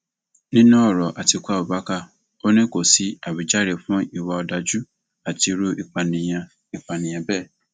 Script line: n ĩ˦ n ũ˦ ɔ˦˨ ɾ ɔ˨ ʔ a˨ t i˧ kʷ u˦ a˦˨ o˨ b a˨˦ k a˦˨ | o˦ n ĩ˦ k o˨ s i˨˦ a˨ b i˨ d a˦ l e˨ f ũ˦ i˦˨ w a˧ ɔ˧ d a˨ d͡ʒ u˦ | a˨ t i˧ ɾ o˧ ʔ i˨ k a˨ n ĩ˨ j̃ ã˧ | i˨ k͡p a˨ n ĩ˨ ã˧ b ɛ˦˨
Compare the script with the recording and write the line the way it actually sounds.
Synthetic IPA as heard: n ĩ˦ n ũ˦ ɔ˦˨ ɾ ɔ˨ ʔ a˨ t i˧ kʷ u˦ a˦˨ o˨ b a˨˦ k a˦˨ | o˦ n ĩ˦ k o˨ s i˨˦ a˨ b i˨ d͡ʒ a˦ ɾ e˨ f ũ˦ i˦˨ w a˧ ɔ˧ d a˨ d͡ʒ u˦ | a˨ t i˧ ɾ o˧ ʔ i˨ k͡p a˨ n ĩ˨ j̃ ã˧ | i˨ k͡p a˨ n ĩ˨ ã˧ b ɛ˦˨